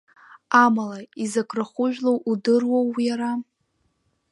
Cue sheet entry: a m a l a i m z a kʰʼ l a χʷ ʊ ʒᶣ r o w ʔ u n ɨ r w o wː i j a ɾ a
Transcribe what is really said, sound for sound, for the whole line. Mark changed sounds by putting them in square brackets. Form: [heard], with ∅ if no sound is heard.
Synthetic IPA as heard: a m a l a i [∅] z a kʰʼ [r] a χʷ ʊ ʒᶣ [l] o w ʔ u [d] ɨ r w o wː i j a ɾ a

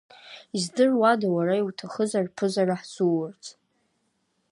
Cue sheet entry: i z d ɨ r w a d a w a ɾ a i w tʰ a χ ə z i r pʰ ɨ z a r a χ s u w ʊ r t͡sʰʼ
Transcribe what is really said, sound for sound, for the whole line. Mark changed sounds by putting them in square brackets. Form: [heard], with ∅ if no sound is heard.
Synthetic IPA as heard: i z d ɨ r w a d a w a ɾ a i w tʰ a χ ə z [a] r pʰ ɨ z a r a [ħ] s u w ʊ r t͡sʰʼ

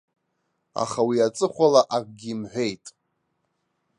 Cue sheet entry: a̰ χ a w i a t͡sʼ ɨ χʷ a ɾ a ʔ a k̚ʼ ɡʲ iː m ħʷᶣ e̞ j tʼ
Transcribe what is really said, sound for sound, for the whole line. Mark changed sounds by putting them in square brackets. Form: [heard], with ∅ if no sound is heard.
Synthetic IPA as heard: a̰ χ a w i a t͡sʼ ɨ χʷ a [l] a ʔ a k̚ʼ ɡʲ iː m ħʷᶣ e̞ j tʼ

